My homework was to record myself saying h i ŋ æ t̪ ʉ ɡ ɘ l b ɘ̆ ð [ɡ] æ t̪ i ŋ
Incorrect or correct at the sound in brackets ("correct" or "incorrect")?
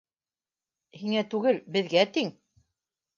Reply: correct